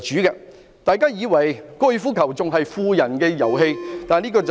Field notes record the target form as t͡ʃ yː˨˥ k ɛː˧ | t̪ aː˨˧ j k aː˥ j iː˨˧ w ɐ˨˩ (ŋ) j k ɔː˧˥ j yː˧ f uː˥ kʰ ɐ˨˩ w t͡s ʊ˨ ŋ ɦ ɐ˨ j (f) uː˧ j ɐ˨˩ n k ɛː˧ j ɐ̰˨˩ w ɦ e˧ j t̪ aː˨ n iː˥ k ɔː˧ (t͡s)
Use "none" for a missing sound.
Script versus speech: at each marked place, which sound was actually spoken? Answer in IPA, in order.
none, f, t͡s

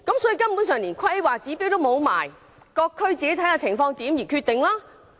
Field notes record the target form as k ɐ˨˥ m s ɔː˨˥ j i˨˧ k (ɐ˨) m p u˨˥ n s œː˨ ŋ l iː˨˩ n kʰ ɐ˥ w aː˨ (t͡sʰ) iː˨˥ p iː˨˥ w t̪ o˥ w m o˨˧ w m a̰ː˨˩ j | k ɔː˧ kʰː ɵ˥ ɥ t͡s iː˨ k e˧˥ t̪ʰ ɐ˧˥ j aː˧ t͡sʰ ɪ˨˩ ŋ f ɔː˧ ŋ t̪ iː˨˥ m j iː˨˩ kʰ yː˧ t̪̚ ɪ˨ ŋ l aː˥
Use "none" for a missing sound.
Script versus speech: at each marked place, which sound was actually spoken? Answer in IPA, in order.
ɐ˥, t͡s

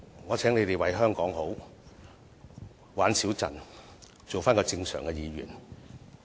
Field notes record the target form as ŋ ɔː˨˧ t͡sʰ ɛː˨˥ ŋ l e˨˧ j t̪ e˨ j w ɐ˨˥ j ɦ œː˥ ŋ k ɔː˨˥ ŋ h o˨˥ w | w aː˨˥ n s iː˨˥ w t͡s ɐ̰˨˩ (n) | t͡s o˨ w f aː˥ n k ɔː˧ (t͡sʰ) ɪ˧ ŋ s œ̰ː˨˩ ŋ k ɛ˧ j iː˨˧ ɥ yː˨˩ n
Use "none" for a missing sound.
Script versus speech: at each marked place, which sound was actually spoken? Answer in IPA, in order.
n, t͡s

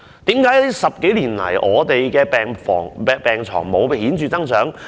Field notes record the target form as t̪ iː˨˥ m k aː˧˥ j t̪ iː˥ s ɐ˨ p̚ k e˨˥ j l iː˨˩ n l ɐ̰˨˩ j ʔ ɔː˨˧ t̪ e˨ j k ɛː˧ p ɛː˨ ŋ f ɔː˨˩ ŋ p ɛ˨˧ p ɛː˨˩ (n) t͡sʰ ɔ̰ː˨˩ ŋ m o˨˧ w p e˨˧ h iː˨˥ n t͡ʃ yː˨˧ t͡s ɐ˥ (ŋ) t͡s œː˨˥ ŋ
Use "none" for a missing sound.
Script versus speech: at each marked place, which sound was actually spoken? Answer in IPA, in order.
ŋ, ŋ

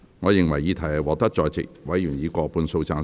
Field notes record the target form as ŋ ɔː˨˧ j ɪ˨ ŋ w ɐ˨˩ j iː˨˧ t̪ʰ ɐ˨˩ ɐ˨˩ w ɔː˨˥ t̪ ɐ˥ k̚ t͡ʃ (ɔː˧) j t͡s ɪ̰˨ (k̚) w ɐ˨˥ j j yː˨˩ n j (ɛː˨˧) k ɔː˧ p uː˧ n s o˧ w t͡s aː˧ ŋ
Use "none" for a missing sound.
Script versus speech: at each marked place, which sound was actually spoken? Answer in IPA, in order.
ɔː˧, k̚, iː˨˧

